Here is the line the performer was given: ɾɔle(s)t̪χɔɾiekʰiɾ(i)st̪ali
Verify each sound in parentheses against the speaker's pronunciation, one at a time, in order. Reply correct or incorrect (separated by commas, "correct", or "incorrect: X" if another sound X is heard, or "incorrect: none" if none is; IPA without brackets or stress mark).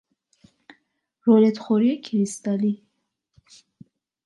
incorrect: none, correct